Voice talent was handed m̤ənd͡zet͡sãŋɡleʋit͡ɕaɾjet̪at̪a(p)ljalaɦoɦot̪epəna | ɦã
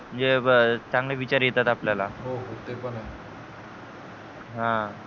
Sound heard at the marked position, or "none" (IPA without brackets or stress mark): p